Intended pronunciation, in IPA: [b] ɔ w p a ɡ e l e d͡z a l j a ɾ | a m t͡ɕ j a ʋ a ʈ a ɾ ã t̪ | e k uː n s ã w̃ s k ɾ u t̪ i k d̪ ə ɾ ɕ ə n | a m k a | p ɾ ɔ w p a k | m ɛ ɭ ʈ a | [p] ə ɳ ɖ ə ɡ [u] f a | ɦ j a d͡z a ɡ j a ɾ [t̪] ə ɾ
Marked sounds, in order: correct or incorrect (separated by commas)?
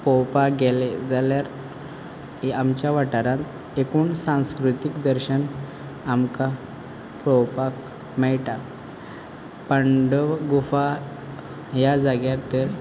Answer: incorrect, correct, correct, correct